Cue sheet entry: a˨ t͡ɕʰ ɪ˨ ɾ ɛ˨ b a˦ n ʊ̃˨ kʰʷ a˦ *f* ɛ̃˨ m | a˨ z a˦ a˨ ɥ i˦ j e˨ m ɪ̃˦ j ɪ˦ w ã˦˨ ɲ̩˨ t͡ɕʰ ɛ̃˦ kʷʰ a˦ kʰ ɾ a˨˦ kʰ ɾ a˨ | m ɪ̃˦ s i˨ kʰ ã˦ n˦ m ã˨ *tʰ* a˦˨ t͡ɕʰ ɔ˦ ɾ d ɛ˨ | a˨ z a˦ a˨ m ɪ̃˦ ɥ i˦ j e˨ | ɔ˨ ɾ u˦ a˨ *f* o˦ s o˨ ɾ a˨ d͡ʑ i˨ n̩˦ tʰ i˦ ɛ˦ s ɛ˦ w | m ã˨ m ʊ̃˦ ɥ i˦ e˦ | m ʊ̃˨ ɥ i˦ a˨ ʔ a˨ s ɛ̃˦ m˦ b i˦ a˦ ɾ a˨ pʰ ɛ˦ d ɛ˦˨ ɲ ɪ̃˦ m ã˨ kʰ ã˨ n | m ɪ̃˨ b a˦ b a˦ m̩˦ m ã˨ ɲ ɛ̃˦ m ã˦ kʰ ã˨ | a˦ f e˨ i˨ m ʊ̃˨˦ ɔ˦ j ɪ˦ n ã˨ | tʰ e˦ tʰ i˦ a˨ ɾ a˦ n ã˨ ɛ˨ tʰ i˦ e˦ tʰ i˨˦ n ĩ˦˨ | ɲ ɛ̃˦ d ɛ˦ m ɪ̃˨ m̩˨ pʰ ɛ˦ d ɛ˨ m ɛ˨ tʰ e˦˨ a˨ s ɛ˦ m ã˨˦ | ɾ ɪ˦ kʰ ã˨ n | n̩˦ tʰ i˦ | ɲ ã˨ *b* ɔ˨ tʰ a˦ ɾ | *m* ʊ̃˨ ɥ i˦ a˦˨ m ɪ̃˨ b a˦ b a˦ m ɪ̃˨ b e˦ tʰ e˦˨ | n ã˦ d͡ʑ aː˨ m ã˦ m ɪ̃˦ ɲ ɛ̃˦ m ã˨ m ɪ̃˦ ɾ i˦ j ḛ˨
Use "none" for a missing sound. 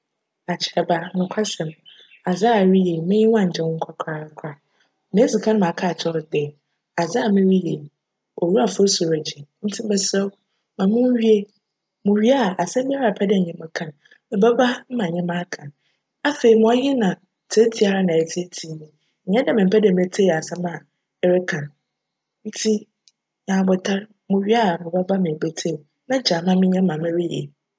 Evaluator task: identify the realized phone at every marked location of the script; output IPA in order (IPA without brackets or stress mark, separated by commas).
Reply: s, kʰ, f, b, m